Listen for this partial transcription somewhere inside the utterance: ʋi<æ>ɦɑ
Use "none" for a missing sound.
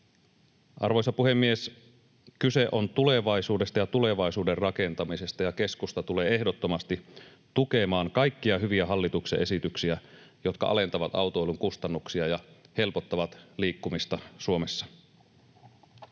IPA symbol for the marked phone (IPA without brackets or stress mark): æ